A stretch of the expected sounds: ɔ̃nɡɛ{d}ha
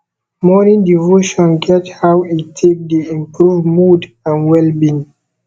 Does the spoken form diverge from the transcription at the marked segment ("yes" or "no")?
yes